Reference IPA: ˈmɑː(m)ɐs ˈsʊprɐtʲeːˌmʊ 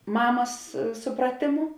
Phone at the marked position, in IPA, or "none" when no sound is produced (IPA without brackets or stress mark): m